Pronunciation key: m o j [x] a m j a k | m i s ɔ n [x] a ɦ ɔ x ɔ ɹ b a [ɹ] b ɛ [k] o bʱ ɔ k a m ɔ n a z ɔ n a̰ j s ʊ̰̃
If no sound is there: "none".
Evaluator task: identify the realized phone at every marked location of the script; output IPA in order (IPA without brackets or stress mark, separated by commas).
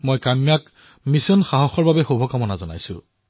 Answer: k, x, none, x